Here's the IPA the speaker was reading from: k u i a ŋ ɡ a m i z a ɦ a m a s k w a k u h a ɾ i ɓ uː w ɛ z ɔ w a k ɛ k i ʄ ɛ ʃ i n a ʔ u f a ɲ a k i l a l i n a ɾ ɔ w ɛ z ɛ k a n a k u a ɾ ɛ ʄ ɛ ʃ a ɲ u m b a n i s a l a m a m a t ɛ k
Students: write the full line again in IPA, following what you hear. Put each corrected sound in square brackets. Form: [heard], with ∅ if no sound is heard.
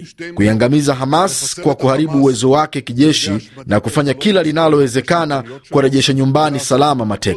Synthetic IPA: k u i a ŋ ɡ a m i z a ɦ a m a s k w a k u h a ɾ i ɓ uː w ɛ z ɔ w a k ɛ k i ʄ ɛ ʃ i n a [k] u f a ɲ a k i l a l i n a [l] ɔ w ɛ z ɛ k a n a k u a ɾ ɛ ʄ ɛ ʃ a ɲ u m b a n i s a l a m a m a t ɛ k